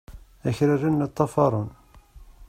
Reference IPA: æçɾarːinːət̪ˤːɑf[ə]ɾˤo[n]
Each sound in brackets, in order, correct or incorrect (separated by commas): incorrect, correct